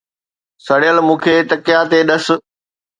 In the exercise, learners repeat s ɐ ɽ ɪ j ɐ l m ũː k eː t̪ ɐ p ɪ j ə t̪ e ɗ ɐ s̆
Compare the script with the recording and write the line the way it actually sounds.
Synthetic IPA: s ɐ ɽ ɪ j ə l m ũː kʰ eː t̪ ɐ k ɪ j a t̪ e ɗ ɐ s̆